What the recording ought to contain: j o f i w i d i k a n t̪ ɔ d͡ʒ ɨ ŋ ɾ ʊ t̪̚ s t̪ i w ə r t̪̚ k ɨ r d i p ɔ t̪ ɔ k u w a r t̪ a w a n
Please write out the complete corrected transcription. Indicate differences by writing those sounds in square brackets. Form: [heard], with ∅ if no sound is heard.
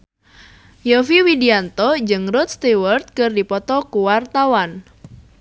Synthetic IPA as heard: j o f i w i d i [∅] a n t̪ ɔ d͡ʒ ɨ ŋ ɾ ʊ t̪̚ s t̪ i w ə r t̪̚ k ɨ r d i p ɔ t̪ ɔ k u w a r t̪ a w a n

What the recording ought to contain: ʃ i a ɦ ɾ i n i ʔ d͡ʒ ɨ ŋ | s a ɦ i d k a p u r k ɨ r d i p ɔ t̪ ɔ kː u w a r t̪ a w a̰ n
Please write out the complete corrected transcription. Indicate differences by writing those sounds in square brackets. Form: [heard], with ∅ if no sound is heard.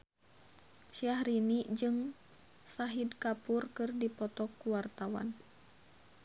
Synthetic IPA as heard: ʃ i a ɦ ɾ i n i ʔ d͡ʒ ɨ ŋ | s a ɦ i d k a p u r k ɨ r d i p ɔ t̪ ɔ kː u w a r t̪ a w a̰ n

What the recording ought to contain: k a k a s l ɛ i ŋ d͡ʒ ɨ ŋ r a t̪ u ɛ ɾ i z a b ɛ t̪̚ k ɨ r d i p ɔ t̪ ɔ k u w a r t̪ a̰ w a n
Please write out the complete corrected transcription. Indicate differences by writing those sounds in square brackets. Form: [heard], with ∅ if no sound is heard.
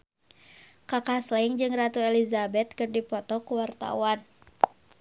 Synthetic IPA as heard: k a k a s l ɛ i ŋ d͡ʒ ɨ ŋ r a t̪ u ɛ [l] i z a b ɛ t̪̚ k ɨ r d i p ɔ t̪ ɔ k u w a r t̪ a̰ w a n

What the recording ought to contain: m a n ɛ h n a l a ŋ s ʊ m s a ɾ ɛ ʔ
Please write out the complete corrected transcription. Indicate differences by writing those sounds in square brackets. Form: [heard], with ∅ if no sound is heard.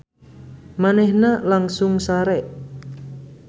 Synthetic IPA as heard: m a n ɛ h n a l a ŋ s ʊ [ŋ] s a ɾ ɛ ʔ

